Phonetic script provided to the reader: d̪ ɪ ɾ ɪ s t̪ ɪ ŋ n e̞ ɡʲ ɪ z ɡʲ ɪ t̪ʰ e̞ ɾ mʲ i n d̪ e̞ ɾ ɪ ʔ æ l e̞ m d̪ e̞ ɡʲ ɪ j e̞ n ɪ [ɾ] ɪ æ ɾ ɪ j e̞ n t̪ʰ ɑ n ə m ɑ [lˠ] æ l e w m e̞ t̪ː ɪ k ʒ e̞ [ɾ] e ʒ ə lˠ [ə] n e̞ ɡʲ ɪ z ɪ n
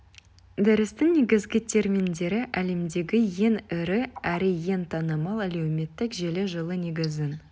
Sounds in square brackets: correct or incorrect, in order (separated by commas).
correct, correct, incorrect, correct